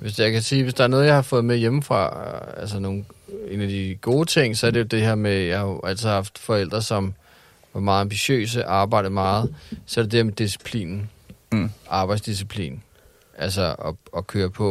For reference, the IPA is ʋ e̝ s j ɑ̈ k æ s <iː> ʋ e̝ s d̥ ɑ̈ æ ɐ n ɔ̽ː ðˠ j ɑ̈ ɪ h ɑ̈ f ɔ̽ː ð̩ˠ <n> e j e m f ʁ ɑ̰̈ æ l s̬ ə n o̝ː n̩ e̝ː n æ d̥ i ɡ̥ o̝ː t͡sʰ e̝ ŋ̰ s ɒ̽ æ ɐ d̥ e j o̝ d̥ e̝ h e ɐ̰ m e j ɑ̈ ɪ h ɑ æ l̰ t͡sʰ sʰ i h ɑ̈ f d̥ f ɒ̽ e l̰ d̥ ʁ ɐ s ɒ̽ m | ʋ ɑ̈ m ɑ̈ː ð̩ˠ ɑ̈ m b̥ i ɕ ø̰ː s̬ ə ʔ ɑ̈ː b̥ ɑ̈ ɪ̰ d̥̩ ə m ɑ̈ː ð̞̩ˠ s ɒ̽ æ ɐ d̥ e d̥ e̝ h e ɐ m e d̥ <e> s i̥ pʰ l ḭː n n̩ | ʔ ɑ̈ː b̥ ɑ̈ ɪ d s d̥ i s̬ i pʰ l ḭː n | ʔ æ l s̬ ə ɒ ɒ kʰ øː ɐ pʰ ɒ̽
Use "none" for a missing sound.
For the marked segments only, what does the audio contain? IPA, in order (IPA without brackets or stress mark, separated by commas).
iː, m, i